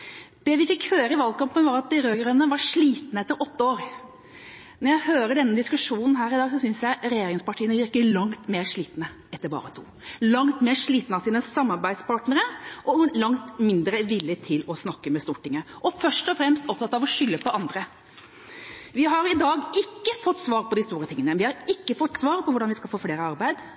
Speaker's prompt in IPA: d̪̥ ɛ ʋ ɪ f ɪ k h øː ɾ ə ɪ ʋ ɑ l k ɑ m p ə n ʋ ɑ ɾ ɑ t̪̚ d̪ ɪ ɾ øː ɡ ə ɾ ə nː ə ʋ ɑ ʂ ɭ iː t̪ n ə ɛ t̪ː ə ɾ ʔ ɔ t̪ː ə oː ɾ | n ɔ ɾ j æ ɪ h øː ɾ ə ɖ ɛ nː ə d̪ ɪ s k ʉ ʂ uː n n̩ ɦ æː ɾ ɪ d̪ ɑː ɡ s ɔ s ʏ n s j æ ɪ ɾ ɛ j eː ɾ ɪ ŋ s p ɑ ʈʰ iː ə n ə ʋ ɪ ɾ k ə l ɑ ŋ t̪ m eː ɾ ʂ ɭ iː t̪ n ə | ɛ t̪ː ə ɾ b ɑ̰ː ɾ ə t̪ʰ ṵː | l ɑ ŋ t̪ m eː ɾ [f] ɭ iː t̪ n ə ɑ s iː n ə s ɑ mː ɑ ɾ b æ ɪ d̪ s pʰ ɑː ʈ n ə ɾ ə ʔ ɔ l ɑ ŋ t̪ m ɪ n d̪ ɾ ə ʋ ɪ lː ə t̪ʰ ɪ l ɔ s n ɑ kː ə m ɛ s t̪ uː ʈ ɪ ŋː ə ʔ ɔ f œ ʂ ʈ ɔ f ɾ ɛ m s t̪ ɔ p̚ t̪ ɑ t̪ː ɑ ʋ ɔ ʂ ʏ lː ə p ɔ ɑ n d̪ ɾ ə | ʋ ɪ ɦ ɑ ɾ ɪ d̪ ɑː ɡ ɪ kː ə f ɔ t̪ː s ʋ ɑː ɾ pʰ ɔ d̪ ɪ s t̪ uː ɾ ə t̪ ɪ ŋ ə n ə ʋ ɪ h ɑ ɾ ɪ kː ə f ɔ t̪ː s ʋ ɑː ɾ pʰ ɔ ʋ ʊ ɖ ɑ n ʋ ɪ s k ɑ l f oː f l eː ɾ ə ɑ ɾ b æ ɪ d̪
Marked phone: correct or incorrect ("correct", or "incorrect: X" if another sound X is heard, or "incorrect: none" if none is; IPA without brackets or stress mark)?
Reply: incorrect: ʂ